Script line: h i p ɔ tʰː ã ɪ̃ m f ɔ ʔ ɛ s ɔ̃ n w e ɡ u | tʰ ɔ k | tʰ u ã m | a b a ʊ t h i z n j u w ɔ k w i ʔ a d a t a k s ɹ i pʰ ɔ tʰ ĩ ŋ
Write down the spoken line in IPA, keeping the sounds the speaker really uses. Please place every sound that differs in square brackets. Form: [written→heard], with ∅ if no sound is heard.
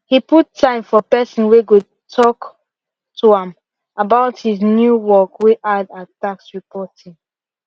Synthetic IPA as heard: h i p [ɔ→u] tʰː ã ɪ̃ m f ɔ [ʔ→p] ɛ s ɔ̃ n w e ɡ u | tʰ ɔ k | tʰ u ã m | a b a ʊ t h i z n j u w ɔ k w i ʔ a d a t a k s ɹ i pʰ ɔ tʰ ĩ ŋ